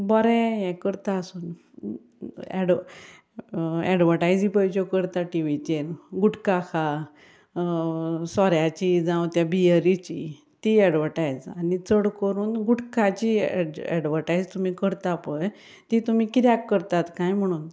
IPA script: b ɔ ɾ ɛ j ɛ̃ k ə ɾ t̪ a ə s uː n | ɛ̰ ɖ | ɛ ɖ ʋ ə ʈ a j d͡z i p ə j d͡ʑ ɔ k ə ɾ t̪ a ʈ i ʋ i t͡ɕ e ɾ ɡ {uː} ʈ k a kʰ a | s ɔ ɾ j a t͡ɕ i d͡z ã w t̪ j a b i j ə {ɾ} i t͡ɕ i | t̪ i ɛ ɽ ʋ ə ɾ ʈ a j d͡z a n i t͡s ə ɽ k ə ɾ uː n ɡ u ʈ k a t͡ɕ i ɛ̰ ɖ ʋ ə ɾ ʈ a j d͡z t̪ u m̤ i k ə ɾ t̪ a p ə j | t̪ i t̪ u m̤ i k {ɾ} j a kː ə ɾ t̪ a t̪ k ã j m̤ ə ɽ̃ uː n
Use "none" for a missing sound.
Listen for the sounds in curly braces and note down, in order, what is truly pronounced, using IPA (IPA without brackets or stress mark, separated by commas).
u, ɾ, ɾ